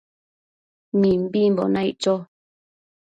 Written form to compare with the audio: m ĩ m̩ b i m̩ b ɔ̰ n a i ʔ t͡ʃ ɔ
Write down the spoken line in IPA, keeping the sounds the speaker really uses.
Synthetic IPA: m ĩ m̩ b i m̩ b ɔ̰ n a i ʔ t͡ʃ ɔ